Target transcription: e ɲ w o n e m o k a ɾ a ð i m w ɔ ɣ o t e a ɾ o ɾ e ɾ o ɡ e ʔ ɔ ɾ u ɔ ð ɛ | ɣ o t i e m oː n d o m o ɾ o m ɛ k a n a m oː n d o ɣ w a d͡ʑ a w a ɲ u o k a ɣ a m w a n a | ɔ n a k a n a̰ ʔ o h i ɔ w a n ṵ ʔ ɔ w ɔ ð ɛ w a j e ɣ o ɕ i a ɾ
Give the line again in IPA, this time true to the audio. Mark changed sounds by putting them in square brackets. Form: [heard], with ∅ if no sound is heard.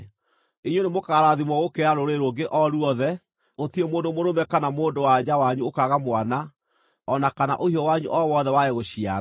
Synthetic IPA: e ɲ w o n e m o k a ɾ a ð i m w ɔ ɣ o [k] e a ɾ o ɾ e ɾ o ɡ e ʔ ɔ ɾ u ɔ ð ɛ | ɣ o t i e m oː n d o m o ɾ o m ɛ k a n a m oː n d o [∅] w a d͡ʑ a w a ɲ u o k a ɣ a m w a n a | ɔ n a k a n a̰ ʔ o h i ɔ w a [ɲ] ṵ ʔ ɔ w ɔ ð ɛ w a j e ɣ o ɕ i a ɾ